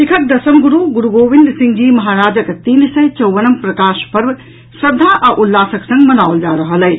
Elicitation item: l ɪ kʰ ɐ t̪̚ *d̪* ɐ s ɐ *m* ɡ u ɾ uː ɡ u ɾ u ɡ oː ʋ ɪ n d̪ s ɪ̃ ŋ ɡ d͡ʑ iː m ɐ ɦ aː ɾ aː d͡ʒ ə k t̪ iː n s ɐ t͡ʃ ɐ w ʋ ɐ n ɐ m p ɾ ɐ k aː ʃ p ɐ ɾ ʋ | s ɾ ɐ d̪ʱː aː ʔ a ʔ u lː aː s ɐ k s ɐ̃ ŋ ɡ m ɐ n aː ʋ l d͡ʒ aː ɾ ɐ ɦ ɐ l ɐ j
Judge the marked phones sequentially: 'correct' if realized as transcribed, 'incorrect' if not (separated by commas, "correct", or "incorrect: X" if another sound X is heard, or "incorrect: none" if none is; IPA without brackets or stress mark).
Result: correct, correct